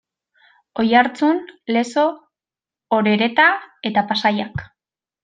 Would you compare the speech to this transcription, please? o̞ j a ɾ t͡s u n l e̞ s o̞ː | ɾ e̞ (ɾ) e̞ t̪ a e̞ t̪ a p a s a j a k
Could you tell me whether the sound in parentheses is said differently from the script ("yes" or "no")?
no